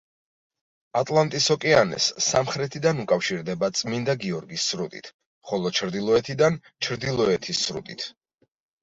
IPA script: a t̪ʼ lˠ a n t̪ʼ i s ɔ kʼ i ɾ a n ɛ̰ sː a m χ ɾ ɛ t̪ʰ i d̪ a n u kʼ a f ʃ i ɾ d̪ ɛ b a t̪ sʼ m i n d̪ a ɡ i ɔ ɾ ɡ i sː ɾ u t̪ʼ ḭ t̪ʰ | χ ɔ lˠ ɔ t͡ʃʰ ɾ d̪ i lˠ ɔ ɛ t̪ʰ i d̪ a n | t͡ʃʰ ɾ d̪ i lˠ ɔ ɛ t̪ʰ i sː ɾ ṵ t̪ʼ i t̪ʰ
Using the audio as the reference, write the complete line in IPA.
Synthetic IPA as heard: a t̪ʼ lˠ a n t̪ʼ i s ɔ kʼ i a n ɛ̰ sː a m χ ɾ ɛ t̪ʰ i d̪ a n u kʼ a f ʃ i ɾ d̪ ɛ b a t̪ sʼ m i n d̪ a ɡ i ɔ ɾ ɡ i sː ɾ u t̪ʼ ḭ t̪ʰ | χ ɔ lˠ ɔ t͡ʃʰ ɾ d̪ i lˠ ɔ ɛ t̪ʰ i d̪ a n | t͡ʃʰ ɾ d̪ i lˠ ɔ ɛ t̪ʰ i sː ɾ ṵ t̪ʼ i t̪ʰ

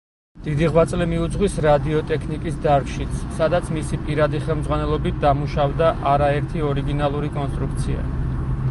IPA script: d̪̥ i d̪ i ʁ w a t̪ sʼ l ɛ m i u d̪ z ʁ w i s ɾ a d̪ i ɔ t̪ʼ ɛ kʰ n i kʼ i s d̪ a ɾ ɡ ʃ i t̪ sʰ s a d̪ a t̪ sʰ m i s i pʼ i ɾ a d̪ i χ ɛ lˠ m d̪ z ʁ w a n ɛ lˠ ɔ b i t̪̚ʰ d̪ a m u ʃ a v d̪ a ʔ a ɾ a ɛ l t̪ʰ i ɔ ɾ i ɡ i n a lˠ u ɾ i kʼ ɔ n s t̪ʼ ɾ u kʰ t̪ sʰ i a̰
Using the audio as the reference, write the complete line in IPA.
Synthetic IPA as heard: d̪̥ i d̪ i ʁ w a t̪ sʼ l ɛ m i u d̪ z ʁ w i s ɾ a d̪ i ɔ t̪ʼ ɛ kʰ n i kʼ i s d̪ a ɾ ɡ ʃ i t̪ sʰ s a d̪ a t̪ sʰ m i s i pʼ i ɾ a d̪ i χ ɛ lˠ m d̪ z ʁ w a n ɛ lˠ ɔ b i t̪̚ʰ d̪ a m u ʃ a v d̪ a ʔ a ɾ a ɛ ɾ t̪ʰ i ɔ ɾ i ɡ i n a lˠ u ɾ i kʼ ɔ n s t̪ʼ ɾ u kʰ t̪ sʰ i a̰

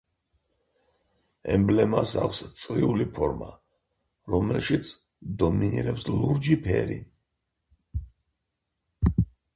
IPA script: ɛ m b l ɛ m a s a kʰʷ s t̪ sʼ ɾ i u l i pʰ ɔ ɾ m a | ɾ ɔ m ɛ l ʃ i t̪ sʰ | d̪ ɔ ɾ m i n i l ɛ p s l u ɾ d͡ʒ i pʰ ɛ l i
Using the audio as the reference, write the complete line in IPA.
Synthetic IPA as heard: ɛ m b l ɛ m a s a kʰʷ s t̪ sʼ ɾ i u l i pʰ ɔ ɾ m a | ɾ ɔ m ɛ l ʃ i t̪ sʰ | d̪ ɔ m i n i ɾ ɛ p s l u ɾ d͡ʒ i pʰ ɛ ɾ i

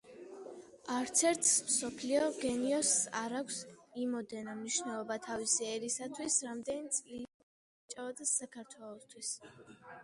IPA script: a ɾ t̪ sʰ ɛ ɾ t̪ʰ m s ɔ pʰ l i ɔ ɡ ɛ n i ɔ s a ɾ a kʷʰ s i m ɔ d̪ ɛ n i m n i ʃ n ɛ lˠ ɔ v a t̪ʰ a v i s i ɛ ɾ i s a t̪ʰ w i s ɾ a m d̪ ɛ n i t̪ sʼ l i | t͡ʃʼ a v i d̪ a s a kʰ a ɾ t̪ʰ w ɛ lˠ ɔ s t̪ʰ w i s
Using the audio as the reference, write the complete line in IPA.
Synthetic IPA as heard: a ɾ t̪ sʰ ɛ ɾ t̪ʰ m s ɔ pʰ l i ɔ ɡ ɛ n i ɔ s a ɾ a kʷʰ s i m ɔ d̪ ɛ n a m n i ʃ n ɛ lˠ ɔ b a t̪ʰ a v i s i ɛ ɾ i s a t̪ʰ w i s ɾ a m d̪ ɛ n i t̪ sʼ l i | t͡ʃʼ a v a d̪ a s a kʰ a ɾ t̪ʰ w ɛ lˠ ɔ s t̪ʰ w i s

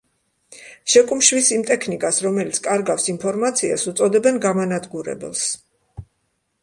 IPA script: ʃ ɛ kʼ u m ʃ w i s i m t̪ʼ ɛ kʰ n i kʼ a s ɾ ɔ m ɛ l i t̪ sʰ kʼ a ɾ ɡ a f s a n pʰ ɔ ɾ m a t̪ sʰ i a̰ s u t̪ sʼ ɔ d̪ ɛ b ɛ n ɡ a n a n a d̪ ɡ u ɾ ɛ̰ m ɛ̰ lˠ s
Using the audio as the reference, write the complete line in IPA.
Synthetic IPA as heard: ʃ ɛ kʼ u m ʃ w i s i m t̪ʼ ɛ kʰ n i kʼ a s ɾ ɔ m ɛ l i t̪ sʰ kʼ a ɾ ɡ a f s i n pʰ ɔ ɾ m a t̪ sʰ i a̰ s u t̪ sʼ ɔ d̪ ɛ b ɛ n ɡ a m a n a d̪ ɡ u ɾ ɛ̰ b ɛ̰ lˠ s

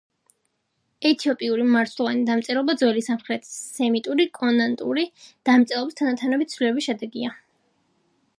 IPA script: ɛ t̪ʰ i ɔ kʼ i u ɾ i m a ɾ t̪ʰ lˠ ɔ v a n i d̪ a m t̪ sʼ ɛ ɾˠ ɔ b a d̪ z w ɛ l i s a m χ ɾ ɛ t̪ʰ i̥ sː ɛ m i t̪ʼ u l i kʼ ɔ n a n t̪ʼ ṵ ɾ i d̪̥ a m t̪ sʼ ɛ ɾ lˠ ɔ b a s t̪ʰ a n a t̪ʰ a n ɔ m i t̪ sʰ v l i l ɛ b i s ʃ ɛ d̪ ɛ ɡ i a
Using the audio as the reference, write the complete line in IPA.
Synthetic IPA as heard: ɛ t̪ʰ i ɔ pʼ i u ɾ i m a ɾ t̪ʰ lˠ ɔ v a n i d̪ a m t̪ sʼ ɛ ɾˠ ɔ b a d̪ z w ɛ l i s a m χ ɾ ɛ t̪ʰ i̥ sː ɛ m i t̪ʼ u ɾ i kʼ ɔ n a n t̪ʼ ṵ ɾ i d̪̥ a m t̪ sʼ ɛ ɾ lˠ ɔ b i s t̪ʰ a n a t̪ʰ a n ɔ b i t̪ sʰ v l i l ɛ b i s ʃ ɛ d̪ ɛ ɡ i a

